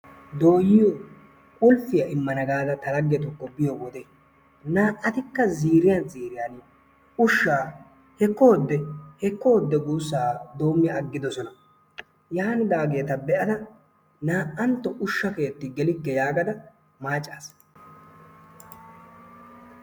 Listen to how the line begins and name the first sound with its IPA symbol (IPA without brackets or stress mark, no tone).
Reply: d̪